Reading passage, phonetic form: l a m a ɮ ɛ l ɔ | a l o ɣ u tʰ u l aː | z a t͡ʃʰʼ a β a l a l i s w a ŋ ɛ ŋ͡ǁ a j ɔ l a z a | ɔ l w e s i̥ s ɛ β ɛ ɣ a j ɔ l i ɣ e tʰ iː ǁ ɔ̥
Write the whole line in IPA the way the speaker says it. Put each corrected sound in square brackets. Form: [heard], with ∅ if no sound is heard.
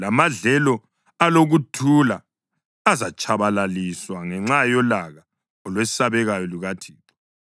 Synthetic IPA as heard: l a m a ɮ ɛ l ɔ | a l o ɣ u tʰ u l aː | z a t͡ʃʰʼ a β a l a l i s w a ŋ ɛ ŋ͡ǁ a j ɔ l a [ɣ] a | ɔ l w e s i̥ s [a] β ɛ ɣ a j ɔ l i ɣ [a] tʰ iː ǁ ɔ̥